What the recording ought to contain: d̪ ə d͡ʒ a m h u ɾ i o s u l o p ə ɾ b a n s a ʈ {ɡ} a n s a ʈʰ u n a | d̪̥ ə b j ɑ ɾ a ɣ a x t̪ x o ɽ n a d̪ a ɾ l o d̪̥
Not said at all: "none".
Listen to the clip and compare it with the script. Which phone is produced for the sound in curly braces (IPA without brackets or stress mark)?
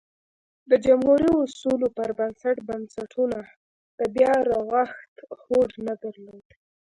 b